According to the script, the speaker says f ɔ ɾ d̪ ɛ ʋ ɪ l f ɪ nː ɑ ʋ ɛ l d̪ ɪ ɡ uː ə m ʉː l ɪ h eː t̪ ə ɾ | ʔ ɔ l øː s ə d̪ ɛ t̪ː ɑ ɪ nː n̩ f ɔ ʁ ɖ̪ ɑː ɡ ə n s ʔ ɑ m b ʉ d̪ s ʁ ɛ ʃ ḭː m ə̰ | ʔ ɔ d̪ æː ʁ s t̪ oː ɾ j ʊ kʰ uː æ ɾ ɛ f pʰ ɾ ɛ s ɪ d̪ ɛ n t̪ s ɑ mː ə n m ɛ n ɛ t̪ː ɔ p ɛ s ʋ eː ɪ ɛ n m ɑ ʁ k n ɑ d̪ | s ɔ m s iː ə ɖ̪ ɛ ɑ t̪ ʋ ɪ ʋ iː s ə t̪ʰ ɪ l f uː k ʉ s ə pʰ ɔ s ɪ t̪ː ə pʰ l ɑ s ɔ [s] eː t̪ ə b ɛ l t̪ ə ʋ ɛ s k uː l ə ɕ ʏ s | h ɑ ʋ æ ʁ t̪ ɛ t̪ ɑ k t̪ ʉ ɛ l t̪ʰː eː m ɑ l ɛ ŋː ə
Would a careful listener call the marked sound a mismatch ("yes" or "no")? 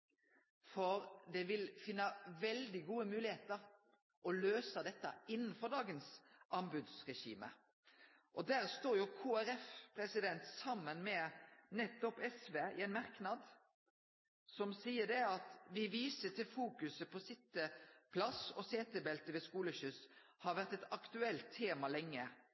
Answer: no